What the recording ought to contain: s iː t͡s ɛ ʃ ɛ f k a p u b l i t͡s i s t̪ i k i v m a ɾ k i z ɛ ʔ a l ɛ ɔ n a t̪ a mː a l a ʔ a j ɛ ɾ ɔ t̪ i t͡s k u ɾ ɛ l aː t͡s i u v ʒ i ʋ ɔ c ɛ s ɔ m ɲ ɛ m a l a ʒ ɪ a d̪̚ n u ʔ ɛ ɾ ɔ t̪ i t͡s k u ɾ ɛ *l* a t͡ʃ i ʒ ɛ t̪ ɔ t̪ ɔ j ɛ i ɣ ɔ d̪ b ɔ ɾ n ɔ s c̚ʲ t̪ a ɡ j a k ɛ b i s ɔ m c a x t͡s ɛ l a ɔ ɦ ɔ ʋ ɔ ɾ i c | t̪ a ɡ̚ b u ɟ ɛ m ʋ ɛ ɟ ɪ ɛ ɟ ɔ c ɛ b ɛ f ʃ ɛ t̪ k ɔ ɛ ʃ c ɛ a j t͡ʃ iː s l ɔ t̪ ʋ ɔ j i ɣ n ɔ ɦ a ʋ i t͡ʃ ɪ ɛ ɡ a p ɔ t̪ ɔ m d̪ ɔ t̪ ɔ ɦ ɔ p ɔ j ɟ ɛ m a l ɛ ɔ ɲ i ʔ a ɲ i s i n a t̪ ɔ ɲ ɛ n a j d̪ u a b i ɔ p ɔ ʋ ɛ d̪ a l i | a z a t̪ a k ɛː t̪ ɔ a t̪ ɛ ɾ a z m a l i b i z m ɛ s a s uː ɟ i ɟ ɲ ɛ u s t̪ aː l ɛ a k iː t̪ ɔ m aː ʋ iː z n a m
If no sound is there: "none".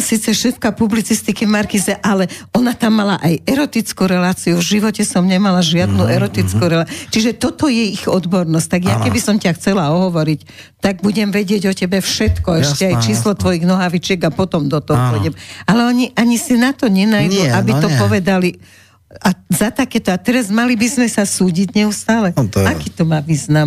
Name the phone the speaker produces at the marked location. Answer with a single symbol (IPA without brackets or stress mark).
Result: l